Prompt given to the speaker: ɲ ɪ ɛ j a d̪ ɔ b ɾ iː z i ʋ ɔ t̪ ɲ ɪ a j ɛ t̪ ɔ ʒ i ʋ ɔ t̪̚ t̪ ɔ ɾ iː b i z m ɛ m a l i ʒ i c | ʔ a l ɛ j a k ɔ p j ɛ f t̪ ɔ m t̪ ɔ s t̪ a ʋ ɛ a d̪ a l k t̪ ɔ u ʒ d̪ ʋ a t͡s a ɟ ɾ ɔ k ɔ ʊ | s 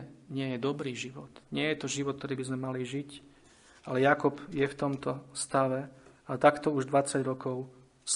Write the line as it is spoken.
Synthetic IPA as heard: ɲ ɪ ɛ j ɛ d̪ ɔ b ɾ iː ʒ i ʋ ɔ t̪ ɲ ɪ ɛ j ɛ t̪ ɔ ʒ i ʋ ɔ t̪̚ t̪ ɔ ɾ iː b i z m ɛ m a l i ʒ i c | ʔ a l ɛ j a k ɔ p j ɛ f t̪ ɔ m t̪ ɔ s t̪ a ʋ ɛ a t̪ a k t̪ ɔ u ʒ d̪ ʋ a t͡s a ɟ ɾ ɔ k ɔ ʊ | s